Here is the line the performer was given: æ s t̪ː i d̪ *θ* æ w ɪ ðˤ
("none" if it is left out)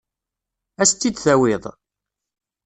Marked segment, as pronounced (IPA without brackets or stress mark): θ